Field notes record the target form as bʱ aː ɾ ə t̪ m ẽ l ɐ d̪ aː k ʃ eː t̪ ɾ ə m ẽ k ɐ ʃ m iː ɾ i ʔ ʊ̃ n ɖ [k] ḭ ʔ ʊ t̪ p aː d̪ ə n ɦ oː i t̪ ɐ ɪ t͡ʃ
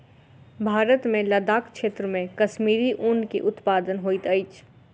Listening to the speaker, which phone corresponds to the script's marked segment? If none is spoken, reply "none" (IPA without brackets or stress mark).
k